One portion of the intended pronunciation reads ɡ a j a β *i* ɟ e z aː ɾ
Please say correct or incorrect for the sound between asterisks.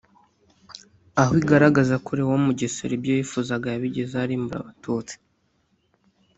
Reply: correct